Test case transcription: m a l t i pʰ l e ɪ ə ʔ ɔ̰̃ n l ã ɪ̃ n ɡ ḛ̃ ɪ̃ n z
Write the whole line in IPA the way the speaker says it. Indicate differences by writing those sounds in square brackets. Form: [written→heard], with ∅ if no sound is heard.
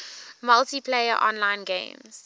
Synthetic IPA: m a l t i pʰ l e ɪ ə ʔ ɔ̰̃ n l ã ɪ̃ n ɡ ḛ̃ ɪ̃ [n→m] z